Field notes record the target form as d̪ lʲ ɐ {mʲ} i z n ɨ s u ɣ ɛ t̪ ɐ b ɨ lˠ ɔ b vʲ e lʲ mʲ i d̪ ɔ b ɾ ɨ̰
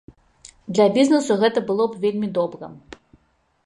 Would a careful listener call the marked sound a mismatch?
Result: yes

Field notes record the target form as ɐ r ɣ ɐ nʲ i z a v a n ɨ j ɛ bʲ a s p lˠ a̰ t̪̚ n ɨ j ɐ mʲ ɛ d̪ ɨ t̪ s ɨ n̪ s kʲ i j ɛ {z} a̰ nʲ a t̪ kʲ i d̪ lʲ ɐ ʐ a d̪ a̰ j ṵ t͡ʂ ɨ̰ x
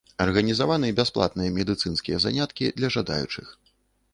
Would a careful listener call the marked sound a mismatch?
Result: no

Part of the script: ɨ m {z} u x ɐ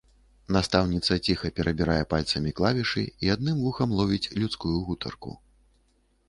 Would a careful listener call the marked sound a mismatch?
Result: yes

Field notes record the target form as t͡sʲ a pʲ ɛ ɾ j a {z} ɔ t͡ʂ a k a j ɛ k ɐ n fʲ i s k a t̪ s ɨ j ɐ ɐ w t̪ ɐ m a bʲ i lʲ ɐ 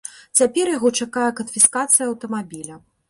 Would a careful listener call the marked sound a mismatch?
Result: yes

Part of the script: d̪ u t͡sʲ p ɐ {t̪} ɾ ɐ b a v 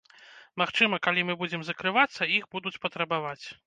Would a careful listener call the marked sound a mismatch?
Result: no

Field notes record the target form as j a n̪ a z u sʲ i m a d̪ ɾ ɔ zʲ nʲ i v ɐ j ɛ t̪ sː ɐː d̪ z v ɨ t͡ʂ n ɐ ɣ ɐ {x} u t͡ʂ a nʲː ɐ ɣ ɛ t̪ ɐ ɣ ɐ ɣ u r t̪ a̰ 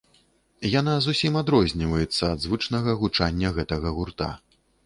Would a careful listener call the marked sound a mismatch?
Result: yes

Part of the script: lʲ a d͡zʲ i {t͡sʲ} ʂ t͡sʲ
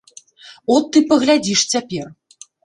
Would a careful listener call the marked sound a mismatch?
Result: yes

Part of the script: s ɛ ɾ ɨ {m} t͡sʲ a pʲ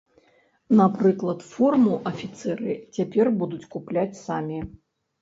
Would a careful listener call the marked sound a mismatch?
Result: yes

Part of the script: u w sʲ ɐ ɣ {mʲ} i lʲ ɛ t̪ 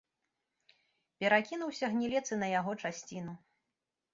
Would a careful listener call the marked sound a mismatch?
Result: yes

